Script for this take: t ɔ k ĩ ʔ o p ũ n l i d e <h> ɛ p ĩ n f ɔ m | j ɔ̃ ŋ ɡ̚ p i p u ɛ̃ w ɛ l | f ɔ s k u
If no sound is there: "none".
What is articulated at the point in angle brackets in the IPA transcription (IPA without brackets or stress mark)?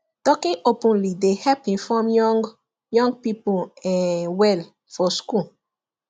h